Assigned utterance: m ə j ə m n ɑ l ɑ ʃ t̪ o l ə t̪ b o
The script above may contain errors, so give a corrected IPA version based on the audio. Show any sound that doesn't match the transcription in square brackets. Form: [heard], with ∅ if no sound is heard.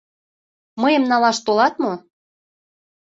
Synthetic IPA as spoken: m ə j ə m n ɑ l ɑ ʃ t̪ o l [ɑ] t̪ [m] o